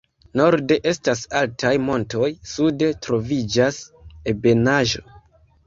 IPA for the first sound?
n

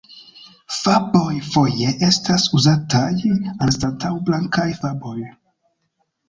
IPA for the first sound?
f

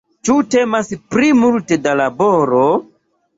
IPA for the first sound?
t͡ʃ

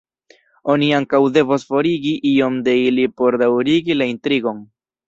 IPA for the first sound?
o̞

